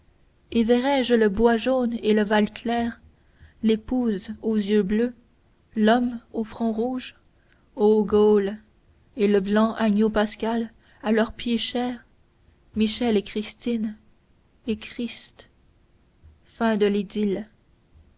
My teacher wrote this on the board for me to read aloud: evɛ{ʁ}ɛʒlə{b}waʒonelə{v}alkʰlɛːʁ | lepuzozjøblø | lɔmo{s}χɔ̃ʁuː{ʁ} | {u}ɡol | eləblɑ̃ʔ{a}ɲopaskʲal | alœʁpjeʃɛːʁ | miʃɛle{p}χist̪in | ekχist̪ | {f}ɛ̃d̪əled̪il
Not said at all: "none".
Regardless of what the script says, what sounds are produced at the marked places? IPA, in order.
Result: ʁ, b, v, f, ʒ, o, a, k, f

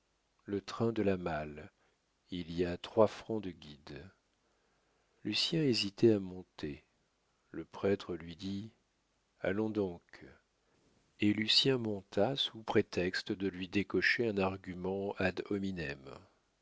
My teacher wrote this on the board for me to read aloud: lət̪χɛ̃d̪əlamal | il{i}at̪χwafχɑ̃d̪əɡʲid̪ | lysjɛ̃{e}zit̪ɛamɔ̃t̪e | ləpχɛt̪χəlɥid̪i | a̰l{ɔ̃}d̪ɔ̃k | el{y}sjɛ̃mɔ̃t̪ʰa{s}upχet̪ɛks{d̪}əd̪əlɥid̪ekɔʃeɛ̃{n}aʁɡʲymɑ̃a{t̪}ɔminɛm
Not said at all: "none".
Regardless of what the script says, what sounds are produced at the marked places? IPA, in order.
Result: i, e, ɔ̃, y, s, t̪, n, d̪

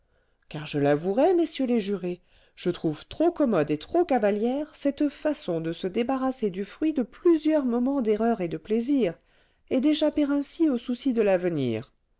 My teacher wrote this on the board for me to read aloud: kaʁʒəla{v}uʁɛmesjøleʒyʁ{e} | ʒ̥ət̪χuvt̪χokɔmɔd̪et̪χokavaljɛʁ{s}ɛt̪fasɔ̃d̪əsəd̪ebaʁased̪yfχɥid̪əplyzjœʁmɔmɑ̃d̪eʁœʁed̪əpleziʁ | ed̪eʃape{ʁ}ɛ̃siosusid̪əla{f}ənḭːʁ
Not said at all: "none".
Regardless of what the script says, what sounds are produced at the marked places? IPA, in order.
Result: v, e, s, ʁ, v

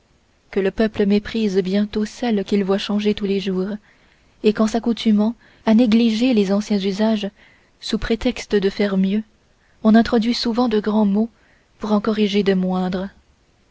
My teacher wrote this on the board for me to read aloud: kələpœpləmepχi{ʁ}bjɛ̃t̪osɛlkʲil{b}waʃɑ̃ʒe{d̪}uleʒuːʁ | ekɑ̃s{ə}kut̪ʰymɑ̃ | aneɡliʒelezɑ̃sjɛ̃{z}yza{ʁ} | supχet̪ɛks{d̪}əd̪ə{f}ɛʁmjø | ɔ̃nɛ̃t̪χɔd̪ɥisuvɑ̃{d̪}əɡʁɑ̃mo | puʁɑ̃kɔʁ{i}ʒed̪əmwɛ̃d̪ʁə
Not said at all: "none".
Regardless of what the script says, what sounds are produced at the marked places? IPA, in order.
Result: z, v, t̪, a, z, ʒ, t̪, f, d̪, i

